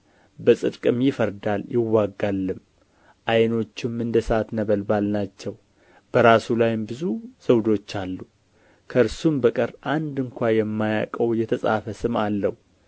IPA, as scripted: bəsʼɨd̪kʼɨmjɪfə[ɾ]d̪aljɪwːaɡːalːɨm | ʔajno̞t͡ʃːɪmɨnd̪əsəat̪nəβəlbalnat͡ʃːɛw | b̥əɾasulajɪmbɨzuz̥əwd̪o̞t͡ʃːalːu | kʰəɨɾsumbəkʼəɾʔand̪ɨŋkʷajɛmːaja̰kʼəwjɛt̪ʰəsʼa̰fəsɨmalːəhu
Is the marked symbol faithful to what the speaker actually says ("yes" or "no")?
yes